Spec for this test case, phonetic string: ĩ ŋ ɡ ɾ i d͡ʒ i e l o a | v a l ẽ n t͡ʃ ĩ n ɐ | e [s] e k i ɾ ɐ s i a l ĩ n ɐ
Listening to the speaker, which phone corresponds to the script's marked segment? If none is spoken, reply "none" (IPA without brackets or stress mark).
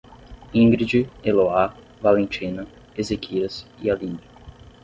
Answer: z